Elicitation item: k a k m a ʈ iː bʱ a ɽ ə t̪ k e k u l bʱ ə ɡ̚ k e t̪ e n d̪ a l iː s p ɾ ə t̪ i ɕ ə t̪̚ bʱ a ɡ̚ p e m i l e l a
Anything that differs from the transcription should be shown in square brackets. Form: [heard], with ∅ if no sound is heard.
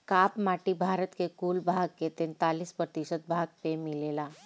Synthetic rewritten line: k a [p] m a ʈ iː bʱ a [ɾ] ə t̪ k e k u l bʱ [a] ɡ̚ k e t̪ e n [t̪] a l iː s p ɾ ə t̪ i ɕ ə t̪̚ bʱ a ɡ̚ p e m i l e l a